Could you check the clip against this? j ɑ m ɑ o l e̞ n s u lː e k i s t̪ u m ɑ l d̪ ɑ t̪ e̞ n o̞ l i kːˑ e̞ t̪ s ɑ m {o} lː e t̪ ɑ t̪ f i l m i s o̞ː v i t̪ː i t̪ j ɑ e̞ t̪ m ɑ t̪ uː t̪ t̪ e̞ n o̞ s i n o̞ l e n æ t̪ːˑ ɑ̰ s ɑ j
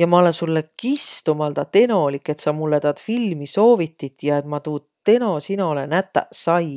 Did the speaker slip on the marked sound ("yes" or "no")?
yes